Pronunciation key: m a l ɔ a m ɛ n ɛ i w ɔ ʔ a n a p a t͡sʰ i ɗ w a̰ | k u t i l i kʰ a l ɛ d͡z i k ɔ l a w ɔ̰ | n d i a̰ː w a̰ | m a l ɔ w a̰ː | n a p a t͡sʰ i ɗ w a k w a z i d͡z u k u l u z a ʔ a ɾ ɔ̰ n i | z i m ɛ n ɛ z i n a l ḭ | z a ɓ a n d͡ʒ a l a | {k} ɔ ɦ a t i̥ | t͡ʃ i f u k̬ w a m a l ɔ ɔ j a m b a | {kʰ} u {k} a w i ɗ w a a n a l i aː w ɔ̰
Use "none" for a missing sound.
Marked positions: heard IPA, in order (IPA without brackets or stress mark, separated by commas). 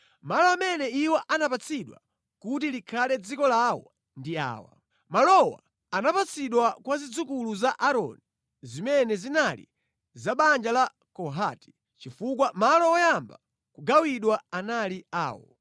k, k, ɡ